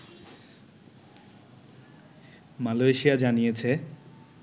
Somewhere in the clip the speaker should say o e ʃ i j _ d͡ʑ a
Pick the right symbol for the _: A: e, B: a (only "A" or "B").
B